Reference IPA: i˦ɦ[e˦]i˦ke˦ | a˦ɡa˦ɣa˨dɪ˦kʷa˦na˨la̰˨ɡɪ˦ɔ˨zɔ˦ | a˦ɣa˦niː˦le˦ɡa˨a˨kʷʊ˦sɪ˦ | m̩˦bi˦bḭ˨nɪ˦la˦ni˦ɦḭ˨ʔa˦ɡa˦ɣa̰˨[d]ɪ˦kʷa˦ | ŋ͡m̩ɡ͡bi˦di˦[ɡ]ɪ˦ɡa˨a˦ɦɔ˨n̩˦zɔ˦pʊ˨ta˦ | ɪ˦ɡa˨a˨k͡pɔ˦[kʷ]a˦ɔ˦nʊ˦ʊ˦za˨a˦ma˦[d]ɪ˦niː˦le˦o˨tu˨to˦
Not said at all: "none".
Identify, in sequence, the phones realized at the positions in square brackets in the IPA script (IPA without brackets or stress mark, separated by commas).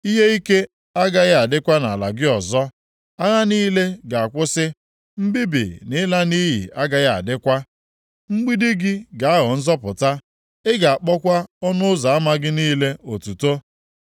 e˦, d, ɡ, kʷ, ɡ